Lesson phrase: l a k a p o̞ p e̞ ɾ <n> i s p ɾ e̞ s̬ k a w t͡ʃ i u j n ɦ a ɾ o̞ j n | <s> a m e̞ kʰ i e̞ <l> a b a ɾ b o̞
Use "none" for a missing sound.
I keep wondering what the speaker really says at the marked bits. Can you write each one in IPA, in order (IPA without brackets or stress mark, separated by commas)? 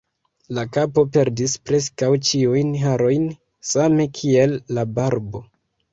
d, s, lː